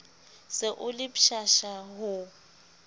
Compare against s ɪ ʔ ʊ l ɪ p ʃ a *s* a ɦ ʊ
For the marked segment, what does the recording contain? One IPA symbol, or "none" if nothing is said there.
ʃ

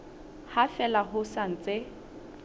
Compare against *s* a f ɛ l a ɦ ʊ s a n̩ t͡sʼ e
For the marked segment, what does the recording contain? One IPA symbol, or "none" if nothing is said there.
h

